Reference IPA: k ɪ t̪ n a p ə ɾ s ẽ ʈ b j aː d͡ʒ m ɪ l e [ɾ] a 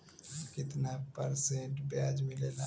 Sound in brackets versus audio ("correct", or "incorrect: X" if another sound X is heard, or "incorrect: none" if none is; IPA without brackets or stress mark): incorrect: l